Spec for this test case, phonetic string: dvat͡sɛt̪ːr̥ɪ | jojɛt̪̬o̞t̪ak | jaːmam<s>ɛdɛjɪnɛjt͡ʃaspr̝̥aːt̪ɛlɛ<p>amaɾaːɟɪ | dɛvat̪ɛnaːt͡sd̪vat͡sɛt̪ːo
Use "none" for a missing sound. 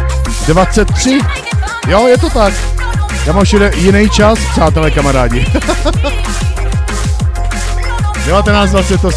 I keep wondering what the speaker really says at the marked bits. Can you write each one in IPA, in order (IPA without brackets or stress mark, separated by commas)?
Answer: ʃ, k